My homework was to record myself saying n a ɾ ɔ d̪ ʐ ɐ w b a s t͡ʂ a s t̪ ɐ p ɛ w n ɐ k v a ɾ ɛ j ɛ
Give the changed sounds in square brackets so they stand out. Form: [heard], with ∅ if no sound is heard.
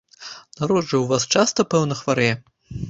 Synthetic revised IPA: n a ɾ ɔ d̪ ʐ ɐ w [v] a s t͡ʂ a s t̪ ɐ p ɛ w n ɐ [x] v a ɾ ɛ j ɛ